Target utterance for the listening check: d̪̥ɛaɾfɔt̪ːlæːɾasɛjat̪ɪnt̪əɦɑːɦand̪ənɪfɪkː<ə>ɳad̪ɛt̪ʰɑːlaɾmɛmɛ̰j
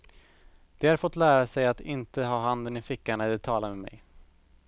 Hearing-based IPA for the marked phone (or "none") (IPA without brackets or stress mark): a